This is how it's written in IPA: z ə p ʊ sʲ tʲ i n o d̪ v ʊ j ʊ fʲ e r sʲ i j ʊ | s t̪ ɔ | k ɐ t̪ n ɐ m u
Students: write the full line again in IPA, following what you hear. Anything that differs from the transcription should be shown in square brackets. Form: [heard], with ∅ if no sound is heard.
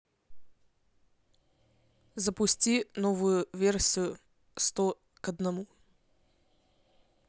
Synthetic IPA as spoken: z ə p ʊ sʲ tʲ i n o [∅] v ʊ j ʊ [vʲ] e r sʲ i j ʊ | s t̪ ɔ | k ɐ [d̪] n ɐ m u